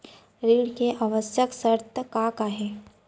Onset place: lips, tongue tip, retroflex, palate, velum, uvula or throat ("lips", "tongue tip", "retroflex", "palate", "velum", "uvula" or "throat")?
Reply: tongue tip